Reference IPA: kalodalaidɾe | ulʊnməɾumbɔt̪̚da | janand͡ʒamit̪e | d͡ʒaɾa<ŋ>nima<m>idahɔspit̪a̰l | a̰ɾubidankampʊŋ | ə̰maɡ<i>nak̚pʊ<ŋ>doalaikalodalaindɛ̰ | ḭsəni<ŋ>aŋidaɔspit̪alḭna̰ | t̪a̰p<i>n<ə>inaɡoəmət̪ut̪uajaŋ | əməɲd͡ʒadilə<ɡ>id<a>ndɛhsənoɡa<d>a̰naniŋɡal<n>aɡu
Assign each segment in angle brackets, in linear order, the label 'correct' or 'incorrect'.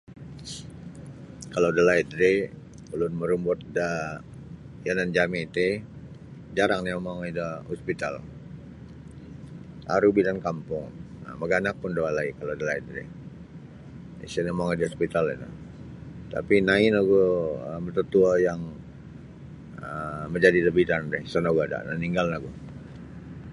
correct, incorrect, incorrect, incorrect, incorrect, correct, incorrect, incorrect, correct, correct, correct

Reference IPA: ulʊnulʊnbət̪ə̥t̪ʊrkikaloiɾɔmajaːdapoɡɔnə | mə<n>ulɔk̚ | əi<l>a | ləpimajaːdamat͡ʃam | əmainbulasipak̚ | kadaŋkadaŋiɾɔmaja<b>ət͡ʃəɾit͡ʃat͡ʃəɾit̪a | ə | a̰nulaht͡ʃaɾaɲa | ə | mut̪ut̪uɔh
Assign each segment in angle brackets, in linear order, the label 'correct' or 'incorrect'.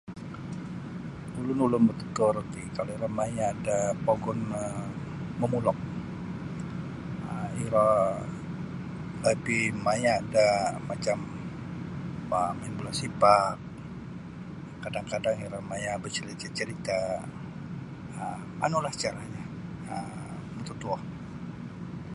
incorrect, incorrect, correct

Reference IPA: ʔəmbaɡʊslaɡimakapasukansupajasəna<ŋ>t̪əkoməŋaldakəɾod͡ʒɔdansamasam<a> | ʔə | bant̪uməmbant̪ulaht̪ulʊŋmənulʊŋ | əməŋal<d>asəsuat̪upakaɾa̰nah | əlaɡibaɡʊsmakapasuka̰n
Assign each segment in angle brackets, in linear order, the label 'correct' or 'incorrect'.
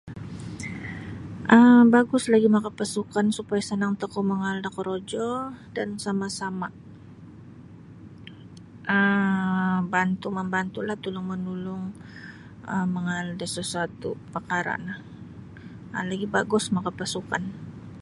correct, correct, correct

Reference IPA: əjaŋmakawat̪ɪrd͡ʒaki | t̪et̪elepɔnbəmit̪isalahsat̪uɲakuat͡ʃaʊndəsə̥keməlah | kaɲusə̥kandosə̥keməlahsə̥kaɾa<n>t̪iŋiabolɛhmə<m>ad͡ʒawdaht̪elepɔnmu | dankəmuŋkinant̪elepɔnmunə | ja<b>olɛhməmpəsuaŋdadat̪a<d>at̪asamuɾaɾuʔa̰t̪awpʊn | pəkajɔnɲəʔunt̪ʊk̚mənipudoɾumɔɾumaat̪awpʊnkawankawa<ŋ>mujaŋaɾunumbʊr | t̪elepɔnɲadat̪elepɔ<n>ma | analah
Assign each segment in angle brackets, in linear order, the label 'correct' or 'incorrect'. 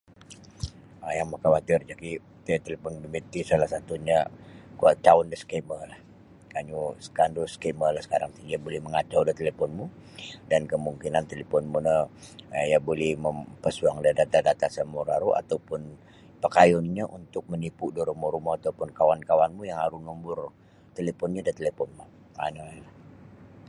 incorrect, incorrect, correct, correct, incorrect, correct

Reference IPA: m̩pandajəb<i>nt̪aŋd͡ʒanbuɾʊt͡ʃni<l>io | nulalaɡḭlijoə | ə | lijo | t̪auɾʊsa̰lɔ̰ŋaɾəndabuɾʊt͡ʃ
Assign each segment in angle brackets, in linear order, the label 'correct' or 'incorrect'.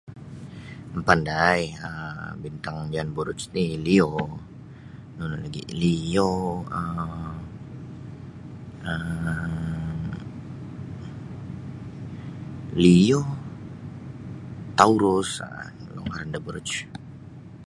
correct, correct

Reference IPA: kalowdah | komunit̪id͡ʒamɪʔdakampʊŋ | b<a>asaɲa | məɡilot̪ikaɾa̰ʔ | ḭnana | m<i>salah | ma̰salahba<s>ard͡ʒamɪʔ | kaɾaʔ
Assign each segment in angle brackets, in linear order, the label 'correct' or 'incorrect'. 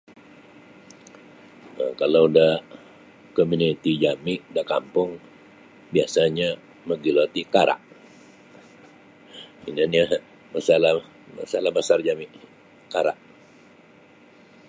incorrect, incorrect, correct

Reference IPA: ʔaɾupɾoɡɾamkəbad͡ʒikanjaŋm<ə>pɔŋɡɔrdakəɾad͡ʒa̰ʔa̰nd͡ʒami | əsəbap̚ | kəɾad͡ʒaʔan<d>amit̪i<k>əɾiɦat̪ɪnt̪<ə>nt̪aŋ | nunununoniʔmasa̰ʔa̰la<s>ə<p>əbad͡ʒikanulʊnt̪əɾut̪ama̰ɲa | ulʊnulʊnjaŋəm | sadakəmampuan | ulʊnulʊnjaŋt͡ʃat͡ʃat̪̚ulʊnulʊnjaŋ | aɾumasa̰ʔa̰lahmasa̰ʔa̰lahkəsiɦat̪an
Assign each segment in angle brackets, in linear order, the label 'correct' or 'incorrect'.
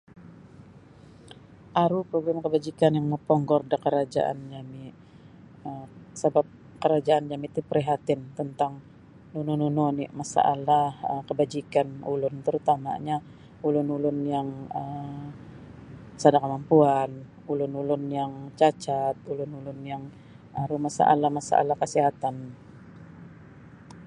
correct, incorrect, incorrect, correct, incorrect, incorrect

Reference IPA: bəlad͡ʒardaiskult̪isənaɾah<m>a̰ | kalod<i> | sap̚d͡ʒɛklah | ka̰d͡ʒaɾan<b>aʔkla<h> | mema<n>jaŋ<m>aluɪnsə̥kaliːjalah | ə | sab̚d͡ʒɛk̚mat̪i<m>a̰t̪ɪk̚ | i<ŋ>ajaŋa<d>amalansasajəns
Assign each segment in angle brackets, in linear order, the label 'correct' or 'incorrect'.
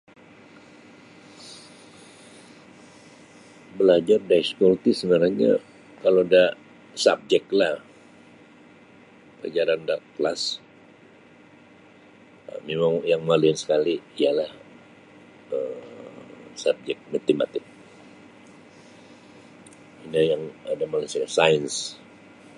incorrect, incorrect, incorrect, incorrect, incorrect, correct, correct, incorrect, correct

